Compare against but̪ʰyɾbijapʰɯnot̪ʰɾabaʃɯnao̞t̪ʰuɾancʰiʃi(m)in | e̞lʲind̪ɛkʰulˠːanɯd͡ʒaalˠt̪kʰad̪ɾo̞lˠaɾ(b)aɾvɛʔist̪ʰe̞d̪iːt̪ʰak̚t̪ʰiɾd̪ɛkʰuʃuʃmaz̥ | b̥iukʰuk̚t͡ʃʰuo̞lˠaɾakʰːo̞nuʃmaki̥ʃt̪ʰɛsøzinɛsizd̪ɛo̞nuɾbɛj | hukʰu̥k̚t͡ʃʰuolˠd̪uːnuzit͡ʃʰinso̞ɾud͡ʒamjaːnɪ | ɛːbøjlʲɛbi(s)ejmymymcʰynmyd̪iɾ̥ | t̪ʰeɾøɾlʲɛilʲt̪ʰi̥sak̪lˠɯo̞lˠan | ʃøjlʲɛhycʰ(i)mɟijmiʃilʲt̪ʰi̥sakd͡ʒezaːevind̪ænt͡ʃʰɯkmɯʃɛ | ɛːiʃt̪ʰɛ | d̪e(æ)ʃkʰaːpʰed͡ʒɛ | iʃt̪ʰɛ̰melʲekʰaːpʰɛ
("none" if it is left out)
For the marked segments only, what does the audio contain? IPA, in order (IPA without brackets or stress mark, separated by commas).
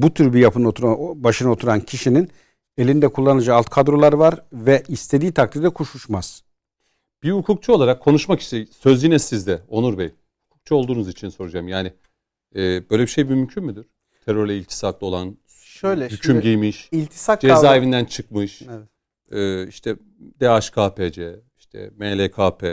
n, v, ʃ, y, a